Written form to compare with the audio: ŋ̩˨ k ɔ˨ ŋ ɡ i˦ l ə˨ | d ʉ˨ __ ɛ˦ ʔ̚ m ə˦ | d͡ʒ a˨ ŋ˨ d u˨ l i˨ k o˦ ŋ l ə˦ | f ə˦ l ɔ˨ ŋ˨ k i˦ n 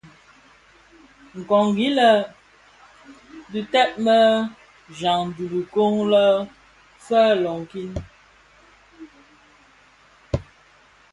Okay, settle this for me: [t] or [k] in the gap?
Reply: t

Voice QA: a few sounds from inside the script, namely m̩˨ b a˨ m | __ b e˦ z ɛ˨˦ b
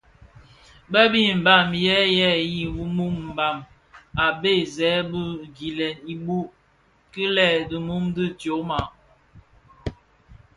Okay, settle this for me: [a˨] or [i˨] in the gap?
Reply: a˨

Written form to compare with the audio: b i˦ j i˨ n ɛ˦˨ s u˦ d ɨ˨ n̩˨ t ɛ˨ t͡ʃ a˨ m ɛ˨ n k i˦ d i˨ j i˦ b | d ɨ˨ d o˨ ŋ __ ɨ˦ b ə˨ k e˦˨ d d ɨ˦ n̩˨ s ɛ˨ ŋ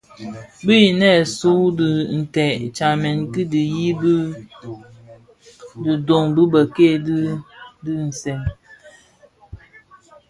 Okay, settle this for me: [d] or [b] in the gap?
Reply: b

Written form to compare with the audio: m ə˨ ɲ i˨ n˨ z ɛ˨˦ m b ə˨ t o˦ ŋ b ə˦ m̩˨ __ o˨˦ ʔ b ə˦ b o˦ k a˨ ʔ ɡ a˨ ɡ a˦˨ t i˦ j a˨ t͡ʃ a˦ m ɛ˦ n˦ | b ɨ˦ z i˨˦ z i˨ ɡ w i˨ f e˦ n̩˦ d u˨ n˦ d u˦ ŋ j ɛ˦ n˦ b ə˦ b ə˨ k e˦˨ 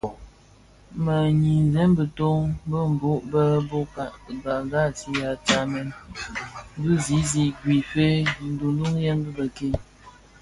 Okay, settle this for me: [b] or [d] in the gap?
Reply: b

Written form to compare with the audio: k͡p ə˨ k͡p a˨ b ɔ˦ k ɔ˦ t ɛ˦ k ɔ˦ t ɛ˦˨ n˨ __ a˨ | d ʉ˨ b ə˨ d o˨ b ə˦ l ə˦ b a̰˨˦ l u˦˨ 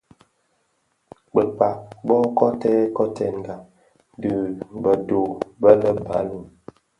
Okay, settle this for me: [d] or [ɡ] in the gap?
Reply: ɡ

